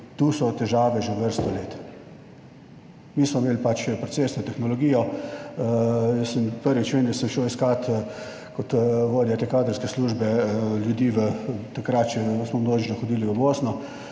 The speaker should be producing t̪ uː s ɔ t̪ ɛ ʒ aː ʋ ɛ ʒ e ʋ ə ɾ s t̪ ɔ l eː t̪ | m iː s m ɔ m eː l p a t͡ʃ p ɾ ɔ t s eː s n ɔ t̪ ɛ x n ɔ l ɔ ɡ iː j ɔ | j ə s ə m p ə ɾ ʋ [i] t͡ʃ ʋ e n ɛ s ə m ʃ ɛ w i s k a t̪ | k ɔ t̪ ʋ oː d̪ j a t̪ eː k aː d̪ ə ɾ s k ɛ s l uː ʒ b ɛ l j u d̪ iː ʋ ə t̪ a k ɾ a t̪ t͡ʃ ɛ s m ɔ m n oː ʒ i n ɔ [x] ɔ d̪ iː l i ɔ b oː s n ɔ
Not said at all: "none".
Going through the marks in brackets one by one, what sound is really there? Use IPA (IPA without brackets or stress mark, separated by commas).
i, x